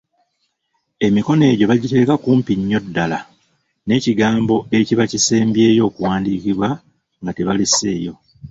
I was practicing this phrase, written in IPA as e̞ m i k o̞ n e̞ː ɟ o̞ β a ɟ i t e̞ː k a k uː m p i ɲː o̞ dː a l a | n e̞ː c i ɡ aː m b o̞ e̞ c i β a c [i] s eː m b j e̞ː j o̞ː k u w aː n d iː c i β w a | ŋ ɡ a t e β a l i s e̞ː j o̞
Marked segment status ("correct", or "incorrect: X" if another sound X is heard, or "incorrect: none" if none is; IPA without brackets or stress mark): correct